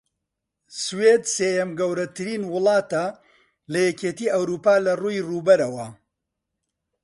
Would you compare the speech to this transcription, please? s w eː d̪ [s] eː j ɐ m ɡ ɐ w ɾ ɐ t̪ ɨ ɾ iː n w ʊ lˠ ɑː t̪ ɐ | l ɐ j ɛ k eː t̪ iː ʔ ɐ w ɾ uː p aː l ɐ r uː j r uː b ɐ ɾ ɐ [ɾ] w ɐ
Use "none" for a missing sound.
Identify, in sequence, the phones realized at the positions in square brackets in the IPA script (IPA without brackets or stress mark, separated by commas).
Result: s, none